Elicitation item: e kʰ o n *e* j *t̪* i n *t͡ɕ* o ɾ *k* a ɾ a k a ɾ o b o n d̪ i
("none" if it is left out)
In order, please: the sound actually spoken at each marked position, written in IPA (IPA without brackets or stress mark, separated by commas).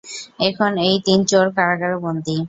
e, t̪, t͡ɕ, k